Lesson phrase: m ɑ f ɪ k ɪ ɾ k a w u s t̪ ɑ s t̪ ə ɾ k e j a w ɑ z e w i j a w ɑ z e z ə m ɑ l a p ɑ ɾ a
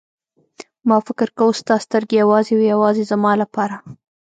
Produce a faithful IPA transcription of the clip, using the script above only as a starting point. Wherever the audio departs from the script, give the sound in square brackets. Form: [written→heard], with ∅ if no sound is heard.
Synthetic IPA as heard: m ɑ f ɪ k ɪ ɾ k a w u s t̪ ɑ s t̪ ə ɾ [k→ɡ] e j a w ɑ z e w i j a w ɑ z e z [ə→a] m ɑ l a p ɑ ɾ a